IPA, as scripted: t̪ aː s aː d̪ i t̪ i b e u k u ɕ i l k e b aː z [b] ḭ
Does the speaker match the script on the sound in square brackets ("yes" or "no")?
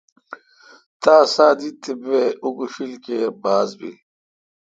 yes